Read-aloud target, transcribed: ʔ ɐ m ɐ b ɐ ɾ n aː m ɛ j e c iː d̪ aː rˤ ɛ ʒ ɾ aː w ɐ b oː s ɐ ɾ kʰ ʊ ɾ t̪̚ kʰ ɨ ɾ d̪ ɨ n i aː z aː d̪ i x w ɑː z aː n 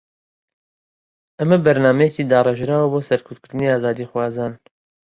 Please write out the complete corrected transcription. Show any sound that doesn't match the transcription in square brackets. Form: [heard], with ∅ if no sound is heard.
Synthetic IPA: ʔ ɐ m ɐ b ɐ ɾ n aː m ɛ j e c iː d̪ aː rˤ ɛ ʒ ɾ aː w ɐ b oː s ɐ ɾ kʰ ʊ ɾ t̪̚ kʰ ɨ ɾ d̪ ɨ n i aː z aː d̪ i x w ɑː z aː n